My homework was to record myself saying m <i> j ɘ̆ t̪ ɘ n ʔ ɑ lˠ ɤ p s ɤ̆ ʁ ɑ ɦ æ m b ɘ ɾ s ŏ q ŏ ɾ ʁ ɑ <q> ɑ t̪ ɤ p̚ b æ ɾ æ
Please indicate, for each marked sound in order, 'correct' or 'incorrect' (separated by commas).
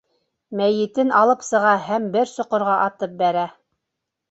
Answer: incorrect, incorrect